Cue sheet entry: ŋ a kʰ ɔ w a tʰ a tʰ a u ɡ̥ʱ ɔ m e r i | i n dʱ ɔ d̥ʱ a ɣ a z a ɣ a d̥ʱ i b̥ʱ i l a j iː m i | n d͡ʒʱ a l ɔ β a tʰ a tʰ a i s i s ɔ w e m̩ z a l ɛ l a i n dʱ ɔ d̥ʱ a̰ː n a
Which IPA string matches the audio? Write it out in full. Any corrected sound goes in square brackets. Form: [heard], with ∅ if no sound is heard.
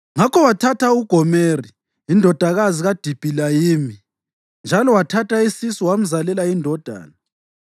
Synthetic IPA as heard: ŋ a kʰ ɔ w a tʰ a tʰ a u ɡ̥ʱ ɔ m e r i | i n dʱ ɔ d̥ʱ a ɣ a z [i] ɣ a d̥ʱ i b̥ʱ i l a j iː m i | n d͡ʒʱ a l ɔ [w] a tʰ a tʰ a i s i s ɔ w [a] m̩ z a l ɛ l a i n dʱ ɔ d̥ʱ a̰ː n a